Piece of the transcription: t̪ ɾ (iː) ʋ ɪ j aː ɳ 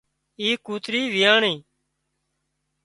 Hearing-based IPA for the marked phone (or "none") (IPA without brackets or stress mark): iː